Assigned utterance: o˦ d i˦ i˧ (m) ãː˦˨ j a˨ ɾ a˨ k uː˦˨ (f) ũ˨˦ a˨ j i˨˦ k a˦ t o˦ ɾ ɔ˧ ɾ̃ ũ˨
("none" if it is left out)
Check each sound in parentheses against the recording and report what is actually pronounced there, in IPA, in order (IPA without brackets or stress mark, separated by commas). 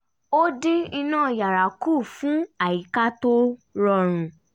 n, f